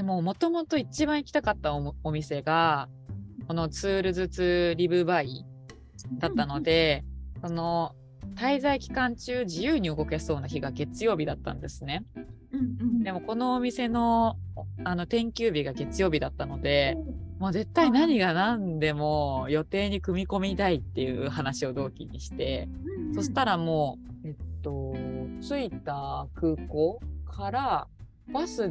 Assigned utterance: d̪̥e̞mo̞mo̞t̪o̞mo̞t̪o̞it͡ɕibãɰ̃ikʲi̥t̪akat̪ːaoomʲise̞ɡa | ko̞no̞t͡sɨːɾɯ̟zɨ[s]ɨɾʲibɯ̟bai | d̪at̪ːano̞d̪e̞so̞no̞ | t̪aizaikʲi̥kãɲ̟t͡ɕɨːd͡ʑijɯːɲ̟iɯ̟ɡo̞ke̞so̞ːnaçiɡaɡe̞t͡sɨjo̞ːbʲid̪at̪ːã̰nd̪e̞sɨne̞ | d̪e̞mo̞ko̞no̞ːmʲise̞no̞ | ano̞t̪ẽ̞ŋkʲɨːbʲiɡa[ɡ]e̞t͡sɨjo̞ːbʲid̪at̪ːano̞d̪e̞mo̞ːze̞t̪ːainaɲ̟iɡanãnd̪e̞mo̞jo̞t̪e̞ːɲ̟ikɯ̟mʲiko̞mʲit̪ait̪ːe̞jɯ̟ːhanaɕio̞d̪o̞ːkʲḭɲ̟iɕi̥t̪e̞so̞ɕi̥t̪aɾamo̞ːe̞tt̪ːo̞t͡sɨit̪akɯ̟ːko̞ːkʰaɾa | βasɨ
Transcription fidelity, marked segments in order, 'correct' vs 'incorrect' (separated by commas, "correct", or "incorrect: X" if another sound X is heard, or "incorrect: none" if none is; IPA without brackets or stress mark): incorrect: t͡s, correct